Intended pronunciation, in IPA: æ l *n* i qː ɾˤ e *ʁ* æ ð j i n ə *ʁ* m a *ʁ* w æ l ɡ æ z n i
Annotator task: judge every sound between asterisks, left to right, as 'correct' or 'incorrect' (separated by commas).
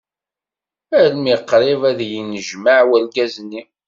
incorrect, incorrect, incorrect, incorrect